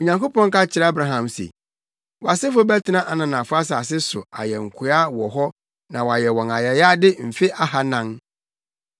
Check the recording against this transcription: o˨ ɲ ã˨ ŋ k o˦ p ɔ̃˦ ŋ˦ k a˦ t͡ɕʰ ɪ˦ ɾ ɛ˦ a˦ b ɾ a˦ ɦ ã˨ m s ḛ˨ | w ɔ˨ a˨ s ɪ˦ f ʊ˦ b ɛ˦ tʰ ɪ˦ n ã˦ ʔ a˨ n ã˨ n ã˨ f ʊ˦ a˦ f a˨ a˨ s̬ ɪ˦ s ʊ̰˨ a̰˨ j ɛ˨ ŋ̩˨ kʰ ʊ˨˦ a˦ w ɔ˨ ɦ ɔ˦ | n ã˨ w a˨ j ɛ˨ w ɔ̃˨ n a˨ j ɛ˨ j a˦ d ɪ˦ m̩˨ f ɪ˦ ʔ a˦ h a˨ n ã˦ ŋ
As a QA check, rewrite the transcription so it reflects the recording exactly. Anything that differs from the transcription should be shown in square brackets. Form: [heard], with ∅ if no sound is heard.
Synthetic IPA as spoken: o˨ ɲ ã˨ ŋ k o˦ p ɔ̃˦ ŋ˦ k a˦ t͡ɕʰ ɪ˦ ɾ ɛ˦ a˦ b ɾ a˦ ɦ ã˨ m s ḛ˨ | w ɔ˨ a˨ s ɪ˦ f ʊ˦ b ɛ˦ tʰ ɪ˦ n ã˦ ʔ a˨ n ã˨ n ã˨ f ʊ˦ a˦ [s] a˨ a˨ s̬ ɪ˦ s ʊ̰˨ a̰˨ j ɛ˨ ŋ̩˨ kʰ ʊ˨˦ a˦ w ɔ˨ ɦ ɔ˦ | n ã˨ w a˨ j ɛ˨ w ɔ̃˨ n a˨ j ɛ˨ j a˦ d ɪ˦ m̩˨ f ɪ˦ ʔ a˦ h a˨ n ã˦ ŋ

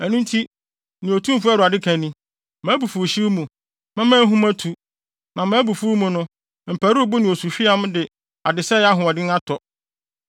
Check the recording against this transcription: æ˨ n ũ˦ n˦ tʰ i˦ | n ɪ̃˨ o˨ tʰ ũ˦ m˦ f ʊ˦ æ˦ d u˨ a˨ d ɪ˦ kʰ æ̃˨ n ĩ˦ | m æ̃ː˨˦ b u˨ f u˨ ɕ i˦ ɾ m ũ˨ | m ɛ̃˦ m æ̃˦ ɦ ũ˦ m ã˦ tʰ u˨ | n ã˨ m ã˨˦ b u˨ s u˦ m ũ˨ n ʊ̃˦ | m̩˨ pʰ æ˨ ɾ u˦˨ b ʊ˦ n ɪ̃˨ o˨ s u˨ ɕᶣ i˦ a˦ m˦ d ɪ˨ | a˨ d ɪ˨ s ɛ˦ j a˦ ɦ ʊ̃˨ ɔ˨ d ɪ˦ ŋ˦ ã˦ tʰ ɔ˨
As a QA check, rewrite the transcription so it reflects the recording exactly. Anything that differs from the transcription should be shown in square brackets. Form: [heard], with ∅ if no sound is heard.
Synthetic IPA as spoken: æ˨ n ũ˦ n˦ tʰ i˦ | n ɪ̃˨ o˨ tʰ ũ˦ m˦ f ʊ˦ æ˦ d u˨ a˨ d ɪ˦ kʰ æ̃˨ n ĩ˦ | m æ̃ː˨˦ b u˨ f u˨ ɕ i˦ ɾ m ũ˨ | m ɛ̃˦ m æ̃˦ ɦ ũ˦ m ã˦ tʰ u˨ | n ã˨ m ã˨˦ b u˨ [f] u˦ m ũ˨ n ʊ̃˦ | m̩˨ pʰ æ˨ ɾ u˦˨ b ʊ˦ n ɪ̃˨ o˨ s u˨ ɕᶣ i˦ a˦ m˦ d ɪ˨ | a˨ d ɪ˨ s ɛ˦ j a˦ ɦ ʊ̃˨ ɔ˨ d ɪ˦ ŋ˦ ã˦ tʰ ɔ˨

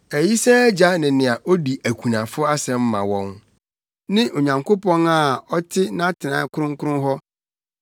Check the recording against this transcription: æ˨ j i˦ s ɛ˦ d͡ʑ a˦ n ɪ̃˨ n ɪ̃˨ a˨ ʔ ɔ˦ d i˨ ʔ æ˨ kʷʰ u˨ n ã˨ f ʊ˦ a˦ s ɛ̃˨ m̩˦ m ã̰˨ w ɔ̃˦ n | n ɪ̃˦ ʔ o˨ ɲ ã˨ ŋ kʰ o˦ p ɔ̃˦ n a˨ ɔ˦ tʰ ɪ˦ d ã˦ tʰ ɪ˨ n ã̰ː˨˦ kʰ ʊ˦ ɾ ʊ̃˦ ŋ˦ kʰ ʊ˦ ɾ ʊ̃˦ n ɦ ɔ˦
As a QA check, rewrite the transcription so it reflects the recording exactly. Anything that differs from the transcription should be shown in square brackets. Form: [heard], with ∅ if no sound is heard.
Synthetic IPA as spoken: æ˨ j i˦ s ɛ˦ d͡ʑ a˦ n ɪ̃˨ n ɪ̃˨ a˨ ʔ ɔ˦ d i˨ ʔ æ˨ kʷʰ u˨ n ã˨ f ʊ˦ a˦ s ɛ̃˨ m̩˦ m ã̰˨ w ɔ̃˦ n | n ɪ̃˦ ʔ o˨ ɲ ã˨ ŋ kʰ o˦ p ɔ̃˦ n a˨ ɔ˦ tʰ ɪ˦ [n] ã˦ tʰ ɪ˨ n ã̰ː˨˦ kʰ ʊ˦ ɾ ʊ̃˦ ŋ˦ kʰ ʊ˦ ɾ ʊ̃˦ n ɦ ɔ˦

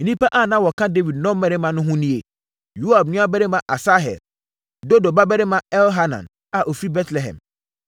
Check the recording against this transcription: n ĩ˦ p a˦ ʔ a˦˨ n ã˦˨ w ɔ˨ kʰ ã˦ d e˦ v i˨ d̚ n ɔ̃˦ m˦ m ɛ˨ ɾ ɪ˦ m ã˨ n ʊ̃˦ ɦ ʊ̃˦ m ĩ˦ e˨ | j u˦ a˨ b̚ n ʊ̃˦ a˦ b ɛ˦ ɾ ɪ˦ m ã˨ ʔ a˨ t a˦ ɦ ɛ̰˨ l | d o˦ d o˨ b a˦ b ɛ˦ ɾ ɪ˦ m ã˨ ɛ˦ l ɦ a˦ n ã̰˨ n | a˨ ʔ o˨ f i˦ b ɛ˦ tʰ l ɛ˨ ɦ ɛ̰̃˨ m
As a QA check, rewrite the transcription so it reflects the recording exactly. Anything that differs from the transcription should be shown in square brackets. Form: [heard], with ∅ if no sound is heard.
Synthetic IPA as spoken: n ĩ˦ p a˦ ʔ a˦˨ n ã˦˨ w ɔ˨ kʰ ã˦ d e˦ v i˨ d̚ n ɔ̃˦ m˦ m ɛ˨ ɾ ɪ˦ m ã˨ n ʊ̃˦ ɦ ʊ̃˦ [n] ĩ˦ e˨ | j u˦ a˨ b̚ n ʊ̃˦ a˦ b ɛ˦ ɾ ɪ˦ m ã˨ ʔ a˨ [s] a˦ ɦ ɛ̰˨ l | d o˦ d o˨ b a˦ b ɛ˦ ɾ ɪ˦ m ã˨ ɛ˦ l ɦ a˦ n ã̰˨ n | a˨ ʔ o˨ f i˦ b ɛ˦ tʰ l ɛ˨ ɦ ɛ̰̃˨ m

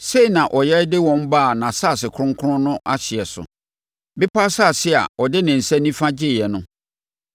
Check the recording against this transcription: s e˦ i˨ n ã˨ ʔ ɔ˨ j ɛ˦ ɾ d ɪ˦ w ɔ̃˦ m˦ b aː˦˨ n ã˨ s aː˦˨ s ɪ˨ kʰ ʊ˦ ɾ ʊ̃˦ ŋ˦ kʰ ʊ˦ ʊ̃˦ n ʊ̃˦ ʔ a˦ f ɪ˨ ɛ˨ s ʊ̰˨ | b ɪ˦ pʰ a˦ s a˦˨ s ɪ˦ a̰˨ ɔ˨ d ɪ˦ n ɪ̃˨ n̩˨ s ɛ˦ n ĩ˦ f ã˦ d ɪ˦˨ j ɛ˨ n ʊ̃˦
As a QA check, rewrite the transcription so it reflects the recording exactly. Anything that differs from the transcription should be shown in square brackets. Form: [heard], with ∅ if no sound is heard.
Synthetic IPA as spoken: s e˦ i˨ n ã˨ ʔ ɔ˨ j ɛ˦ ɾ d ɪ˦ w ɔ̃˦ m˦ b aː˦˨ n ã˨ s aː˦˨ s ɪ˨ kʰ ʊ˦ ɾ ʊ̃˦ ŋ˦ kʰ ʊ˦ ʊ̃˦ n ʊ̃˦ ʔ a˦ [ɕ] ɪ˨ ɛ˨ s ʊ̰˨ | b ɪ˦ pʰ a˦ s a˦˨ s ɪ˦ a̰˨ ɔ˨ d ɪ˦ n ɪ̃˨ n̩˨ s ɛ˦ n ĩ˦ f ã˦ [d͡ʑ] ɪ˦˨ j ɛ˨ n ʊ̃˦

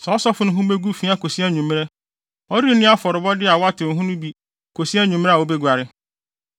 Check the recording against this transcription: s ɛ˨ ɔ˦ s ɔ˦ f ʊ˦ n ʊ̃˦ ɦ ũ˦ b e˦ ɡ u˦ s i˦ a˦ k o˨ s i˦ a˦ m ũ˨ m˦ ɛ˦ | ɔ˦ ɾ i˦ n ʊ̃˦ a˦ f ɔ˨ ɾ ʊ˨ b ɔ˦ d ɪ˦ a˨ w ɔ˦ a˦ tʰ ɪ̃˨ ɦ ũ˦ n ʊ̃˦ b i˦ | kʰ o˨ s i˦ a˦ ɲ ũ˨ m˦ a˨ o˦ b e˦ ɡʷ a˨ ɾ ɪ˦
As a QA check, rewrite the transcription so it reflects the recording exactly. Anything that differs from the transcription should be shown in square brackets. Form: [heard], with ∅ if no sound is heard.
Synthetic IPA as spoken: s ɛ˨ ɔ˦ s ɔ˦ f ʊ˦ n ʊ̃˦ ɦ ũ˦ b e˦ ɡ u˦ [f] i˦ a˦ k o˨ s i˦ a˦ [ɲ] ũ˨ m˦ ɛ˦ | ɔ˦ ɾ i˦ n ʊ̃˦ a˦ f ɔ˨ ɾ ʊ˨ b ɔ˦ d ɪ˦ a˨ w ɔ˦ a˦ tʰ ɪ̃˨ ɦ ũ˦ n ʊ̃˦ b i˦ | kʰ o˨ s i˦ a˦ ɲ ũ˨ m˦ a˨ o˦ b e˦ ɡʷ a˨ ɾ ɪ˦

